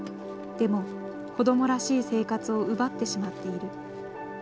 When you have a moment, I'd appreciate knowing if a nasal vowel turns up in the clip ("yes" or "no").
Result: no